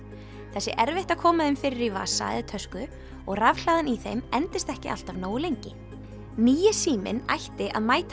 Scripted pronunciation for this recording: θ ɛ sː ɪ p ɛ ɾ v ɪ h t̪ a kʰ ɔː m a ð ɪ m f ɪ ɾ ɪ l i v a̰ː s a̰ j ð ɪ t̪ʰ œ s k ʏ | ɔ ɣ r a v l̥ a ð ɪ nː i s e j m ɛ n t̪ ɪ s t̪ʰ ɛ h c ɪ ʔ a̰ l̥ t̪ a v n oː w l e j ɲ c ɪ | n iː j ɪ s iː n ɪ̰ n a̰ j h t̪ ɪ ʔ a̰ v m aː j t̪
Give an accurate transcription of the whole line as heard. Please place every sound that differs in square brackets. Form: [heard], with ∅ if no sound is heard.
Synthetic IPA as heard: θ ɛ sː ɪ [ʔ] ɛ ɾ v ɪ h t̪ a kʰ ɔː m a ð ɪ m f ɪ ɾ ɪ [ɾ] i v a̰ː s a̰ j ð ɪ t̪ʰ œ s k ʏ | ɔ ɣ r a v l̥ a ð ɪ [n] i [θ] e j m ɛ n t̪ ɪ s [t̪] ɛ h c ɪ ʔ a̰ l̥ t̪ a v n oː w l e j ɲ c ɪ | n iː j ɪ s iː [m] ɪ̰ n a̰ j h t̪ ɪ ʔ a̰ [ð] m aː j t̪

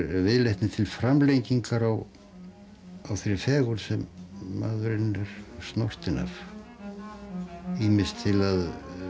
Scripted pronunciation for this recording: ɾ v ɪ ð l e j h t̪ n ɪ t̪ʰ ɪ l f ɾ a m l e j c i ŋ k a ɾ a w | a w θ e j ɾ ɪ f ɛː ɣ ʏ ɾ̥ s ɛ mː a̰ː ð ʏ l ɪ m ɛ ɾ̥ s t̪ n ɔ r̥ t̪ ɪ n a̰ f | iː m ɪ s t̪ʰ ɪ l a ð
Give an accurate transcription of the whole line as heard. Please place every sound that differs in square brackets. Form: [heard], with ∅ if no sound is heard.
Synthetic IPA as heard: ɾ v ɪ ð l e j h t̪ n ɪ t̪ʰ ɪ l f ɾ a m l e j c i ŋ k a ɾ a w | a w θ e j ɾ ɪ f ɛː ɣ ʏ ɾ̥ s ɛ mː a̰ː ð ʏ [ɾ] ɪ [n] ɛ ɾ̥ s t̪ n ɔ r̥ t̪ ɪ n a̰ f | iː m ɪ s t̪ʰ ɪ l a ð

